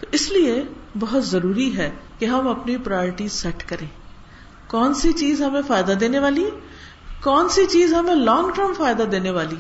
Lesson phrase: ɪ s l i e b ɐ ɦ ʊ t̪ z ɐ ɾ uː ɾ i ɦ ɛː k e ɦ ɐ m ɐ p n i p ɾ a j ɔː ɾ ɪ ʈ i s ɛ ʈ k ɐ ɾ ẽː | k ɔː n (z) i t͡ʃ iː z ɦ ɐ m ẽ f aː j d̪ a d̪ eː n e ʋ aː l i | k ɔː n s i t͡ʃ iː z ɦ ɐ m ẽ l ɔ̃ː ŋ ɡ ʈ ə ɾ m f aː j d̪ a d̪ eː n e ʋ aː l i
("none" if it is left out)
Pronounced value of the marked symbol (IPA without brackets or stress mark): s